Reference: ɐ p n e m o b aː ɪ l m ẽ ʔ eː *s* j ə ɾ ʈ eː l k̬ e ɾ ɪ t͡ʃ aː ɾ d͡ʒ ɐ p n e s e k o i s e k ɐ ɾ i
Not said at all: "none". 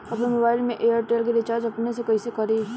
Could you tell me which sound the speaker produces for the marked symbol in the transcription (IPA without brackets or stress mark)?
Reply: none